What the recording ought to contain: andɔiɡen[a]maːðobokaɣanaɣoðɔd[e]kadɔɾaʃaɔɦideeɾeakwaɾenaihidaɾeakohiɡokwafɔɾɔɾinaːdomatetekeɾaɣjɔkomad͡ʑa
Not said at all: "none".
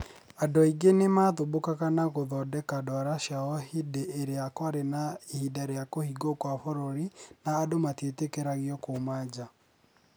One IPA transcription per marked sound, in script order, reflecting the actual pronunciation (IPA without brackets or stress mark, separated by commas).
e, ɛ